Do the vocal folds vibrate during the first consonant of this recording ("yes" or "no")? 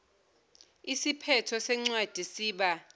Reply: no